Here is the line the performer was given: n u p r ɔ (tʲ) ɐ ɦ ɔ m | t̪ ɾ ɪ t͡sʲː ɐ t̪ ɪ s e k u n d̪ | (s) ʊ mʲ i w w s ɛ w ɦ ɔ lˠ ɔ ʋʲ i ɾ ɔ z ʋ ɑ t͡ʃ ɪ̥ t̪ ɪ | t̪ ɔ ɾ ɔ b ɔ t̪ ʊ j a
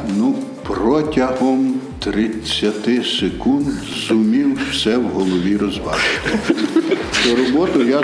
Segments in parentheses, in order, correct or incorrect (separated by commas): correct, incorrect